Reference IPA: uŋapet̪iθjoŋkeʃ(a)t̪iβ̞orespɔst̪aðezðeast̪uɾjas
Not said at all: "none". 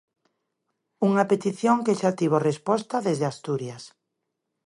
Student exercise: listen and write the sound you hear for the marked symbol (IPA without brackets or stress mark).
a